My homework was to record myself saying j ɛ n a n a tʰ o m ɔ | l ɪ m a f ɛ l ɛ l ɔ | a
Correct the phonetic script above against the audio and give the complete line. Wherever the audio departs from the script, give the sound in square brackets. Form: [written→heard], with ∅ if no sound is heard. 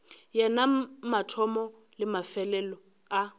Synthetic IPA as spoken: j ɛ n a [n→m] a tʰ [o→ɔ] m ɔ | l ɪ m a f ɛ l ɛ l ɔ | a